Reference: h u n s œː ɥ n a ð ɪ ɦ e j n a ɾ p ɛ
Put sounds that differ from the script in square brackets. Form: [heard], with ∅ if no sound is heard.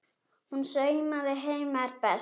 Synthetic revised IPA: h u n s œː ɥ [m] a ð ɪ ɦ e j [m] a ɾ p ɛ